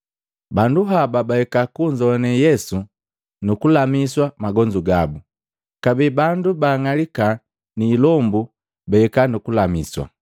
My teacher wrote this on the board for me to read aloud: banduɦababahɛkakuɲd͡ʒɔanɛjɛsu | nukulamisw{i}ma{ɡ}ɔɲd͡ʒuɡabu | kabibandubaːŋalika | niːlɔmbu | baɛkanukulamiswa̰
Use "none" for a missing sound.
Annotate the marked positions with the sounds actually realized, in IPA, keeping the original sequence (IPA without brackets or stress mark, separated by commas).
a, ɡ